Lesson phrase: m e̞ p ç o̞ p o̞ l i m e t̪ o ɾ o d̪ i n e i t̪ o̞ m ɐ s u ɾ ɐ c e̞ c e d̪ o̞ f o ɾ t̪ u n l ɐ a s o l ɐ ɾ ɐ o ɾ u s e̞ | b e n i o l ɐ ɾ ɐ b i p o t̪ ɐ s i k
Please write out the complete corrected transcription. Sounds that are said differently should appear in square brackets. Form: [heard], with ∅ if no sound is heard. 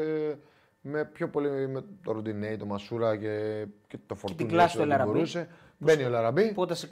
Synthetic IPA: m e̞ p ç o̞ p o̞ l i m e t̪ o ɾ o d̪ i n e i t̪ o̞ m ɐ s u ɾ ɐ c e̞ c e [t̪] o̞ f o ɾ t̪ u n l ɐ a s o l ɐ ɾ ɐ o ɾ u s e̞ | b e n i o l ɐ ɾ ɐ b i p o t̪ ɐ s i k